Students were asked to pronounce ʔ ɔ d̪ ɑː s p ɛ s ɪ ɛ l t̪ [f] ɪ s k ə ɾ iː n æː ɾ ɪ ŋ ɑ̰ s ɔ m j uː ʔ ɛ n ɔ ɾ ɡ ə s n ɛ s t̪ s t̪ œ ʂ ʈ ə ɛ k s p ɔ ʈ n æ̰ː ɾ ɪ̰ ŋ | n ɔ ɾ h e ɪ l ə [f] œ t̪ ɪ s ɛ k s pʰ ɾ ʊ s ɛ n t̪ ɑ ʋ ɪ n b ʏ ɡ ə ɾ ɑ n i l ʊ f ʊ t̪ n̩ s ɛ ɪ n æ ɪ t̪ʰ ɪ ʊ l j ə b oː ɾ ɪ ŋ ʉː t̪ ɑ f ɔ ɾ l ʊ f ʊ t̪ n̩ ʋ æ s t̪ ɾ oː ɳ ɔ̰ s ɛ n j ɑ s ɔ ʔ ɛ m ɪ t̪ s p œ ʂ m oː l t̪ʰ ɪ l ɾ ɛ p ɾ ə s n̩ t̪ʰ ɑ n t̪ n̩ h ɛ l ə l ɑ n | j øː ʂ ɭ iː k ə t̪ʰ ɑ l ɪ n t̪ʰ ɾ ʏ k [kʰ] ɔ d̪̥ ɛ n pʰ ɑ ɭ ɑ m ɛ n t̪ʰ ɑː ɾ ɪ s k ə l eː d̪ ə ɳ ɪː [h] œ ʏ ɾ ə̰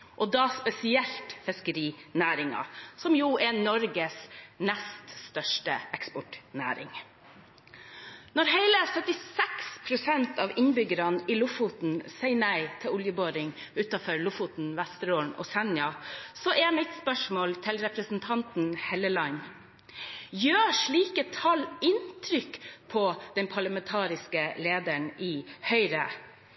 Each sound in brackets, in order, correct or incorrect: correct, incorrect: s, incorrect: pʰ, correct

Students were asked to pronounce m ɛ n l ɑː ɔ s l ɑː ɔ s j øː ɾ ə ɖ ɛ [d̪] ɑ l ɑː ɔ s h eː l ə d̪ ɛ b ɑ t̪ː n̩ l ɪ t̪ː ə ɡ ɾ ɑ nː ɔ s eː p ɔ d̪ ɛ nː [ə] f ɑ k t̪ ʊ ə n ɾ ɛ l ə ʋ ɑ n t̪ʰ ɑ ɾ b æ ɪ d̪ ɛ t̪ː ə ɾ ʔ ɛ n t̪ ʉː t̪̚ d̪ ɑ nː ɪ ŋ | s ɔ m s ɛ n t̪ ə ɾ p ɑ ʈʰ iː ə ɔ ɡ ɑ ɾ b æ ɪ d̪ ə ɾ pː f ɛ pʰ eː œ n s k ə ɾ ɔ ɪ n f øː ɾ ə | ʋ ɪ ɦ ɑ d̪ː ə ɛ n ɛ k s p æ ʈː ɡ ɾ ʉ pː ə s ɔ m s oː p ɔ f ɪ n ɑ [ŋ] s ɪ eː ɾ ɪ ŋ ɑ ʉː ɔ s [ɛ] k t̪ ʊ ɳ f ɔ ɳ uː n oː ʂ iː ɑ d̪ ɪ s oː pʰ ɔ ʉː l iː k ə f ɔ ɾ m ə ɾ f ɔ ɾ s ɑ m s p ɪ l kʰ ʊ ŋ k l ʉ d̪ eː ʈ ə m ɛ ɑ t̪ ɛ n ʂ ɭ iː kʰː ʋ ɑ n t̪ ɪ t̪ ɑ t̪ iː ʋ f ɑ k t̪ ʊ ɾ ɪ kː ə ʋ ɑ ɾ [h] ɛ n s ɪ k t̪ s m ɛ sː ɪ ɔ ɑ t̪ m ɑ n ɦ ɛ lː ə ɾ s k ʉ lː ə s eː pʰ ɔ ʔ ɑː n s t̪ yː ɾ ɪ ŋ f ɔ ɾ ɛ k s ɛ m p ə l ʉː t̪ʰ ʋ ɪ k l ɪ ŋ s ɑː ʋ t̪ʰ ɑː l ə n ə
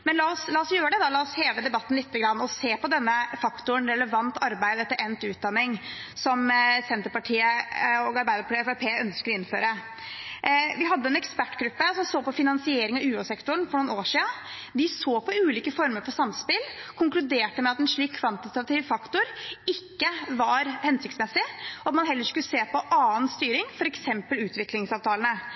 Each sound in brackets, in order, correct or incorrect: correct, correct, incorrect: n, correct, correct

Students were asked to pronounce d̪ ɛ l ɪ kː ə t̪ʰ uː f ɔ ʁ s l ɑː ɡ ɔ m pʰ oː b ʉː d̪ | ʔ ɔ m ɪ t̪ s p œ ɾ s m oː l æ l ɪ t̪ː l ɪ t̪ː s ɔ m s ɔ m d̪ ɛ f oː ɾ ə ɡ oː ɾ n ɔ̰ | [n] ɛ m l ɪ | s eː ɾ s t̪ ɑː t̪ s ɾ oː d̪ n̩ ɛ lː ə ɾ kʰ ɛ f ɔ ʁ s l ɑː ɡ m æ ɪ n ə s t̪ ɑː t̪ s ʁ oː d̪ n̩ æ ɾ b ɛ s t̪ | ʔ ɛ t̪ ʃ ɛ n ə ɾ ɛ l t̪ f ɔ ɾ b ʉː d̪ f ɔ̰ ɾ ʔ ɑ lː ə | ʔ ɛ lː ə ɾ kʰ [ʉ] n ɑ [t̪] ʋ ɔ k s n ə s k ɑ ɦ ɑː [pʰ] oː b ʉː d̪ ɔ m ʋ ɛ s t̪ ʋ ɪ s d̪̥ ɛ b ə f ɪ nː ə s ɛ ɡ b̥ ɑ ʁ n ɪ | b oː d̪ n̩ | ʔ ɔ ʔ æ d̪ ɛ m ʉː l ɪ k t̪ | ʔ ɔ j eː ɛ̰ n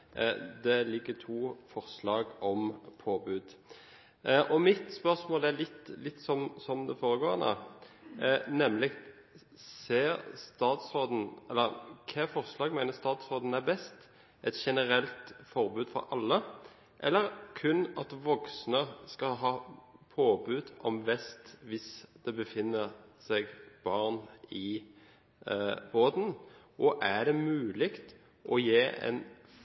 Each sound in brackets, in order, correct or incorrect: correct, correct, correct, correct

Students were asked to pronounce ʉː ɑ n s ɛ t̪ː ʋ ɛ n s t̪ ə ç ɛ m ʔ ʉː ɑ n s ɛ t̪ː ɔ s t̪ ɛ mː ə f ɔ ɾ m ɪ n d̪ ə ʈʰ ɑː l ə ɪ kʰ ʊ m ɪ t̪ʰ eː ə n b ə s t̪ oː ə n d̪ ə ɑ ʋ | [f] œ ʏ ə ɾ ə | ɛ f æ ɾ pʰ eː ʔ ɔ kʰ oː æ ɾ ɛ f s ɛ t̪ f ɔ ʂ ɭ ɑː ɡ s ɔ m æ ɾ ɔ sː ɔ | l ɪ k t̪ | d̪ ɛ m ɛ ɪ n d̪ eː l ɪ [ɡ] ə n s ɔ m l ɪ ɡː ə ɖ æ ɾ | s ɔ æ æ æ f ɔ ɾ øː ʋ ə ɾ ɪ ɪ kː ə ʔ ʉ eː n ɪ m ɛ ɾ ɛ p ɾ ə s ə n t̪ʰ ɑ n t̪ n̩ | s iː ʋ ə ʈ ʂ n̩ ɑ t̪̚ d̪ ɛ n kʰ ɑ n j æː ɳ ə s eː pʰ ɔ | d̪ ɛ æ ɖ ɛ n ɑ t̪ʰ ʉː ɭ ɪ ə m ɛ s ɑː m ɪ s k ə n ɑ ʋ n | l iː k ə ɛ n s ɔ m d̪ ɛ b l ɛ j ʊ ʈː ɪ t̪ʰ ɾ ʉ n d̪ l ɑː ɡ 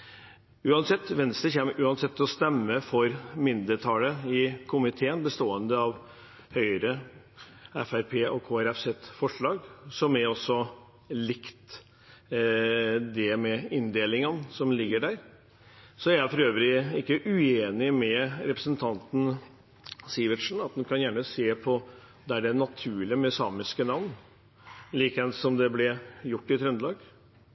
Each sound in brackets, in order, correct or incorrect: incorrect: h, incorrect: ŋ

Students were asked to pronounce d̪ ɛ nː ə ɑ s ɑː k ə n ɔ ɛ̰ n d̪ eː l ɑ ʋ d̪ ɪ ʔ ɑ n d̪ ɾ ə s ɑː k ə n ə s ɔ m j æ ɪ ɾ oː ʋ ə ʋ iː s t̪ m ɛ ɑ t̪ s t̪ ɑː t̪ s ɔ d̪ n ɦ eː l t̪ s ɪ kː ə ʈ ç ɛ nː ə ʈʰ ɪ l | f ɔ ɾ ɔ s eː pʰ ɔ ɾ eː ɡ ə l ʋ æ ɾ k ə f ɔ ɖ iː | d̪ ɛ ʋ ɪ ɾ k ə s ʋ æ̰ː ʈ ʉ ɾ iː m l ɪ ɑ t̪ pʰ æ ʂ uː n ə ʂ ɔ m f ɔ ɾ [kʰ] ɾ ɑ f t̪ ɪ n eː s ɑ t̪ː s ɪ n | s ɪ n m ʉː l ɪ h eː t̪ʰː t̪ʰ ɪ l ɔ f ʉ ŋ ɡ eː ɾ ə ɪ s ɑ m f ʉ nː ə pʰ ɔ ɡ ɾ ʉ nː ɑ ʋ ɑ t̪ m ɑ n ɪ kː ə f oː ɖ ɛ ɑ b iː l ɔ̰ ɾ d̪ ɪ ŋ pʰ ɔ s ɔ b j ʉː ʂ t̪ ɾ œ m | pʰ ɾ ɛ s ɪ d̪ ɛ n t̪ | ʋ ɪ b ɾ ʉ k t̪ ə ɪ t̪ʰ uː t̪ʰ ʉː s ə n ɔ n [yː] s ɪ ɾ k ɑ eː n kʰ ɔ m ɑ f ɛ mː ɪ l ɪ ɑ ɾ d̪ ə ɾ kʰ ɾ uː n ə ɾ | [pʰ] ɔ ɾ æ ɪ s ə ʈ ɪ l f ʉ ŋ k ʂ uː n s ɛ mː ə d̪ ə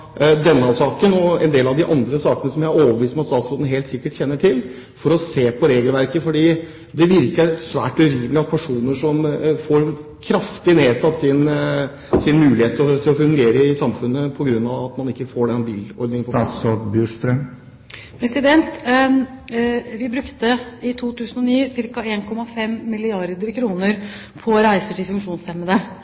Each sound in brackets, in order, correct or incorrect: correct, incorrect: iː, correct

